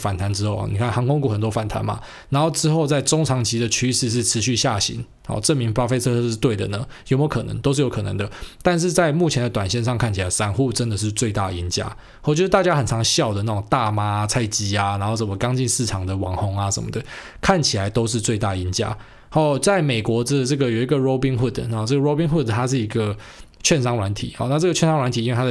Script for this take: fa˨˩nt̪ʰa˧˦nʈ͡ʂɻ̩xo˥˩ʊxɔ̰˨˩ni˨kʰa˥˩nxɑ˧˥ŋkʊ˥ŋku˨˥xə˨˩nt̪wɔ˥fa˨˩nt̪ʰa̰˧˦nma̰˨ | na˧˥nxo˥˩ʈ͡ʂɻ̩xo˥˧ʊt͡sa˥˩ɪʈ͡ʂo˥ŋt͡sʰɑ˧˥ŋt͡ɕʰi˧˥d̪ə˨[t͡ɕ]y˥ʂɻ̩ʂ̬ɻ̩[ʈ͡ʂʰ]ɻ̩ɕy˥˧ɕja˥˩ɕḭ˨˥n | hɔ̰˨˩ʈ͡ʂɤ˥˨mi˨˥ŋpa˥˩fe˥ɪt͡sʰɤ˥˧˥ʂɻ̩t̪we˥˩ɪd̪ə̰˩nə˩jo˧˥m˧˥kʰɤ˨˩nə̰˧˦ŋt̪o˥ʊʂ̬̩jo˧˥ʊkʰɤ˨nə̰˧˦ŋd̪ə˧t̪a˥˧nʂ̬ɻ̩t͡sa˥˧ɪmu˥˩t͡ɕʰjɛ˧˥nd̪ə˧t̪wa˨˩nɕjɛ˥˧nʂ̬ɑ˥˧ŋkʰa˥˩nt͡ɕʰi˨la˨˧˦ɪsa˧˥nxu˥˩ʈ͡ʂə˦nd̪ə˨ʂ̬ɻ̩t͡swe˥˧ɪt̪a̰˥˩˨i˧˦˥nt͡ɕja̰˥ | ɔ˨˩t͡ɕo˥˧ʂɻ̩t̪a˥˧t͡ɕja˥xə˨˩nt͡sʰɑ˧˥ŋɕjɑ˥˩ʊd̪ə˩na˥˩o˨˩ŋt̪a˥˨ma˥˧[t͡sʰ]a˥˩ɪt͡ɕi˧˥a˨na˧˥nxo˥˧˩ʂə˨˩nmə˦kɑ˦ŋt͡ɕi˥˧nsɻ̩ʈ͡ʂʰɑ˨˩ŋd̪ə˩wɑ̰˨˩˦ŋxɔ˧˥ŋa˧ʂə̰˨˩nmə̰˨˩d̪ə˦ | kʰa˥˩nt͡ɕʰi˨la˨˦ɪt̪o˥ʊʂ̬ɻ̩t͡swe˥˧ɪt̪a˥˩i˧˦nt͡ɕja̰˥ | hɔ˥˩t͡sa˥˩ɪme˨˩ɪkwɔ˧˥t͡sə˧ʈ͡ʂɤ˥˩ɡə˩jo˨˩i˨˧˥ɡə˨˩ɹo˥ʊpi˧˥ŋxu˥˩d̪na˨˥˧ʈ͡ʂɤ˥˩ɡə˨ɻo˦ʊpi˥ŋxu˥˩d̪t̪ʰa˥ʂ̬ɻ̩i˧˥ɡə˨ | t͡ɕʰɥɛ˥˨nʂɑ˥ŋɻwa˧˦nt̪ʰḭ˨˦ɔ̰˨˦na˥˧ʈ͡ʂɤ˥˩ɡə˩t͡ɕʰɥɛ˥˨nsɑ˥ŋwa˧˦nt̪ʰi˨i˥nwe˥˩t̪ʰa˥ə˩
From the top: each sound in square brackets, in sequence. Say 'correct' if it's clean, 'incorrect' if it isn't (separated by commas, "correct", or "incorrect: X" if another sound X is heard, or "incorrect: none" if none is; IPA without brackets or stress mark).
incorrect: t͡ɕʰ, correct, correct